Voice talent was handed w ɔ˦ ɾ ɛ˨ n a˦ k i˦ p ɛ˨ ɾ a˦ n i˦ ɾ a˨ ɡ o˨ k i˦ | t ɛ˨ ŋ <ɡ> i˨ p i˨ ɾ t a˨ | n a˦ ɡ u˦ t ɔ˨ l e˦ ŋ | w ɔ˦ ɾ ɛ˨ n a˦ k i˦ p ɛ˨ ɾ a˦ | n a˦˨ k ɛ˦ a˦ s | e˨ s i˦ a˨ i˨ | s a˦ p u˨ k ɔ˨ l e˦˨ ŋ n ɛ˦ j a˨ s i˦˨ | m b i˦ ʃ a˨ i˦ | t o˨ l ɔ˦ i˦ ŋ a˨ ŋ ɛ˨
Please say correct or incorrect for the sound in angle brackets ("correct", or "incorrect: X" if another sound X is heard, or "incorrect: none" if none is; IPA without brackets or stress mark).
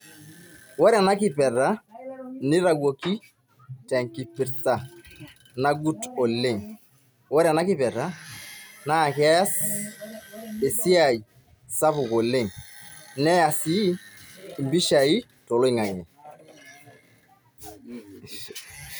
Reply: incorrect: k